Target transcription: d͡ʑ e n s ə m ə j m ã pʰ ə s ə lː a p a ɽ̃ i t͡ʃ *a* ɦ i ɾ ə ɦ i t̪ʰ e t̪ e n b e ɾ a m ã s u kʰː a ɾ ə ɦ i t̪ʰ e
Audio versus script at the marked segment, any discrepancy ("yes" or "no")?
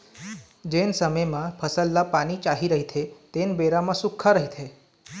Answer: no